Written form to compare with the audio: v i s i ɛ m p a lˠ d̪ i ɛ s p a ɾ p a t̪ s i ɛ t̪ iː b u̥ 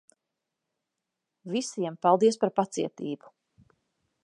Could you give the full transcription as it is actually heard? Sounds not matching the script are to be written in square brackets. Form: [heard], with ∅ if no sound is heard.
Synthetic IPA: v i s i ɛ m p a lˠ d̪ i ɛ s p a ɾ p a t̪ s i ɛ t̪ iː b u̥

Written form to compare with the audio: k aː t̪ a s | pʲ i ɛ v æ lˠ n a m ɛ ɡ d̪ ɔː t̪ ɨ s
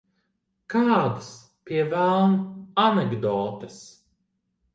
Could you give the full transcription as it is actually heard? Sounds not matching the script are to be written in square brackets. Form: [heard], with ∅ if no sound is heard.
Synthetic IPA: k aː [d̪] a s | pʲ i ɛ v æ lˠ n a [n] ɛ ɡ d̪ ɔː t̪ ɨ s

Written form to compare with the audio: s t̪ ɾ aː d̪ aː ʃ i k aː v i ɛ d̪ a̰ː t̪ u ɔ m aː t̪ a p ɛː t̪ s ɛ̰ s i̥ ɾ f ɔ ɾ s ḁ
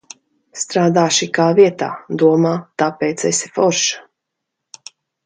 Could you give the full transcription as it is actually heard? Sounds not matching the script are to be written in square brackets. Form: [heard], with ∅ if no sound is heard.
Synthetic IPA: s t̪ ɾ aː d̪ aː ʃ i k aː v i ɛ [t̪] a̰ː [d̪] u ɔ m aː t̪ a p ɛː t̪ s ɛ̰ s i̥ [∅] f ɔ ɾ [ʃ] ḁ

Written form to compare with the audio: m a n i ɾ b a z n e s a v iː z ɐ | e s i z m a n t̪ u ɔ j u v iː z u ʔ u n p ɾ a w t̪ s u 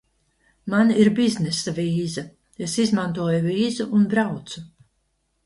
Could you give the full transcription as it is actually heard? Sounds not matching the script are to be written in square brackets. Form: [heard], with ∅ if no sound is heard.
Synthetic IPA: m a n i ɾ b [i] z n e s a v iː z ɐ | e s i z m a n t̪ u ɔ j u v iː z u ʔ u n [b] ɾ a w t̪ s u

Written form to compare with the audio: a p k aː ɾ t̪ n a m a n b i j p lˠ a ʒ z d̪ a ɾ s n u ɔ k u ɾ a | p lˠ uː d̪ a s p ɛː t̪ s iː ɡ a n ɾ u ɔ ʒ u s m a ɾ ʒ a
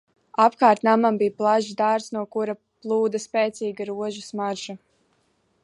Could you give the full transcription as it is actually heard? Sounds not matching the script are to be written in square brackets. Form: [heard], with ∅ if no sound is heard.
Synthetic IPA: a p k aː ɾ t̪ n a m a [m] b i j p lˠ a ʒ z d̪ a ɾ s n u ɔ k u ɾ a | p lˠ uː d̪ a s p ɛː t̪ s iː ɡ a [∅] ɾ u ɔ ʒ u s m a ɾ ʒ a

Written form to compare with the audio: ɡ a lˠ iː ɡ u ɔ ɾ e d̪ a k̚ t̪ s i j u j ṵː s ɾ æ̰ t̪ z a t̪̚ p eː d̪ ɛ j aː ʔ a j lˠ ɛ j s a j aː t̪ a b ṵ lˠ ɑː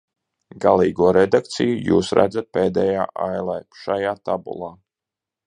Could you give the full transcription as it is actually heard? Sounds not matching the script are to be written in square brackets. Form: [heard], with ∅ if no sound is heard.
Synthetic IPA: ɡ a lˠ iː ɡ u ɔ ɾ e d̪ a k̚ t̪ s i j u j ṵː s ɾ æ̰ [d̪] z a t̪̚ p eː d̪ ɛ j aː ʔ a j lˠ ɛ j [ʃ] a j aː t̪ a b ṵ lˠ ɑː

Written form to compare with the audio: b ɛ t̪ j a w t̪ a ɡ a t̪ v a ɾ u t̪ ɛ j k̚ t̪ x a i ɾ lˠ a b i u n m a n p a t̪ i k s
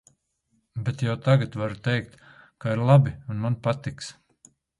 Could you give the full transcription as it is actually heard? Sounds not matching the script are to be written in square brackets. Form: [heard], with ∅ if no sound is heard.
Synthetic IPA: b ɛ t̪ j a w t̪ a ɡ a t̪ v a ɾ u t̪ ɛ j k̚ t̪ [k] a i ɾ lˠ a b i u n m a n p a t̪ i k s

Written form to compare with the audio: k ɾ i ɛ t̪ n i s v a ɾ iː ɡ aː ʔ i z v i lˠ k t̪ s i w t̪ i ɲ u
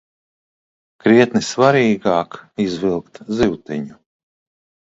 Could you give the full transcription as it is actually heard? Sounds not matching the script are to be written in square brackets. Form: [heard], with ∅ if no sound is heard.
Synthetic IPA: k ɾ i ɛ t̪ n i s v a ɾ iː ɡ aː [k] i z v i lˠ k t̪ [z] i w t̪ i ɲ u

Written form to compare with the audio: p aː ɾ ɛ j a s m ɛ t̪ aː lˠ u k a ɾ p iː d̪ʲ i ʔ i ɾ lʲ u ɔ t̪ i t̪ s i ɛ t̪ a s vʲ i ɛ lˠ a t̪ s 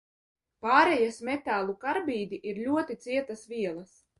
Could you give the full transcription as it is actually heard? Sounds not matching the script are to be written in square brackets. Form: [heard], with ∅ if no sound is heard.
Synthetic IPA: p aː ɾ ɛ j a s m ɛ t̪ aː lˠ u k a ɾ [b] iː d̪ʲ i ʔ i ɾ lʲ u ɔ t̪ i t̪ s i ɛ t̪ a s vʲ i ɛ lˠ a [∅] s

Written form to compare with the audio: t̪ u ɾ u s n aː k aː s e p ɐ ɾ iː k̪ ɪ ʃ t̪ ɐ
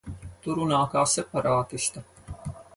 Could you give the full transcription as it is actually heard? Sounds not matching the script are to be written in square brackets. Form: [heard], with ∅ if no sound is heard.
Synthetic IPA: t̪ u ɾ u [∅] n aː k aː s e p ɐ ɾ [aː] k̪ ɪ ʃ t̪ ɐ

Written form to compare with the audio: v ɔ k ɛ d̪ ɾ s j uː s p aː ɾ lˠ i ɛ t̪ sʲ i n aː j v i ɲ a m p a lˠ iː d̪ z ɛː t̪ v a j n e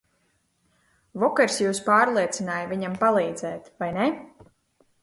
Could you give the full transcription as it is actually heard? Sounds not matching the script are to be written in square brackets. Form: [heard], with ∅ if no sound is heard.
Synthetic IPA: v ɔ k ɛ [∅] ɾ s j uː s p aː ɾ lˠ i ɛ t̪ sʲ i n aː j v i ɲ a m p a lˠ iː d̪ z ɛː t̪ v a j n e

